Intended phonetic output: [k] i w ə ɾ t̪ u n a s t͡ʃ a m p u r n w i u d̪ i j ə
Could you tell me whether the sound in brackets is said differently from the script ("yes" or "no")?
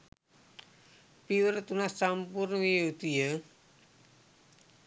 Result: yes